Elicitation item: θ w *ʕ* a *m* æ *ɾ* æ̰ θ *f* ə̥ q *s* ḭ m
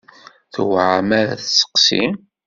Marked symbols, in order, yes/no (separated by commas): yes, yes, yes, no, yes